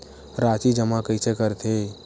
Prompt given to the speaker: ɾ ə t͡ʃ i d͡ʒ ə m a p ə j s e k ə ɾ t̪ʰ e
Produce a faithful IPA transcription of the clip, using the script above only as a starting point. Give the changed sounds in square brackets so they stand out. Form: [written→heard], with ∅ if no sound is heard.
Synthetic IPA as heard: ɾ [ə→a] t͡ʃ i d͡ʒ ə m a [p→k] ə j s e k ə ɾ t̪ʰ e